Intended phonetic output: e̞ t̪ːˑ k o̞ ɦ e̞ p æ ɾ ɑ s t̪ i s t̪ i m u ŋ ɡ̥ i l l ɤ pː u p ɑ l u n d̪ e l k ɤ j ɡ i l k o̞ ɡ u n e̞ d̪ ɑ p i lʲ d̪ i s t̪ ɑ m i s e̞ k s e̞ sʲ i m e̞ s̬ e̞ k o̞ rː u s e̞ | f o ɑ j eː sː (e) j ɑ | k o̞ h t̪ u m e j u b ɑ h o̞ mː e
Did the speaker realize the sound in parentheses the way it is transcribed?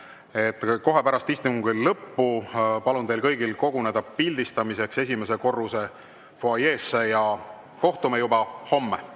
yes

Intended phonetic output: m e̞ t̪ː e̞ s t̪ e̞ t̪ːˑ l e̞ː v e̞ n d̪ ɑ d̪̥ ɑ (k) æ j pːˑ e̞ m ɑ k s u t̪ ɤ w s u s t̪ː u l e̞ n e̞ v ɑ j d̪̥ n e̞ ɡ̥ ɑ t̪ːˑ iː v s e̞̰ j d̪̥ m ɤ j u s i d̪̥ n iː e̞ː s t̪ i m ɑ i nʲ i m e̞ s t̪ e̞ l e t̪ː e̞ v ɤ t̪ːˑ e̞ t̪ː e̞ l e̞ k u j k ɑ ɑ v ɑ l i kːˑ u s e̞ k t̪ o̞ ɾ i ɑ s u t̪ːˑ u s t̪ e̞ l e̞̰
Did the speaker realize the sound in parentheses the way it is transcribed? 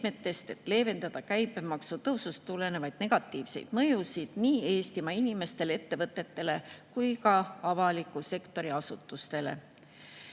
yes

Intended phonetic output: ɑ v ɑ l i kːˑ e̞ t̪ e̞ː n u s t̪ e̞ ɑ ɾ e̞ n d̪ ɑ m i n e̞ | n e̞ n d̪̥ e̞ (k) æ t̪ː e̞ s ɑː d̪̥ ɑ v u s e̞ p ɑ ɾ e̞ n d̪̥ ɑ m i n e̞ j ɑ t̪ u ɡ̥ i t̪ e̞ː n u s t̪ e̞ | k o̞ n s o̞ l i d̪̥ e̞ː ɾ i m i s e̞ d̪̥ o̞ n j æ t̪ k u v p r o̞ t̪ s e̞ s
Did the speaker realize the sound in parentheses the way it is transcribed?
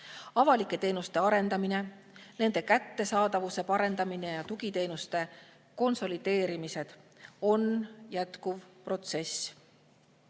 yes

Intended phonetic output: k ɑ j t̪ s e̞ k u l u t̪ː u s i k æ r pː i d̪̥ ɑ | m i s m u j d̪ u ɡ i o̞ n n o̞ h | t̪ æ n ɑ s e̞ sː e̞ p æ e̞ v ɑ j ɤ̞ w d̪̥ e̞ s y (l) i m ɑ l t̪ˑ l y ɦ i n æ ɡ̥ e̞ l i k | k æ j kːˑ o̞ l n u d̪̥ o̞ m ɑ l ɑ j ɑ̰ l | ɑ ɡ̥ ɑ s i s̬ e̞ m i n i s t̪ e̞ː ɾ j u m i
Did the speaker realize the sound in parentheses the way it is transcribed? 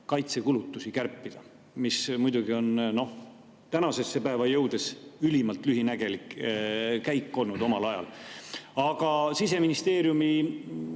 yes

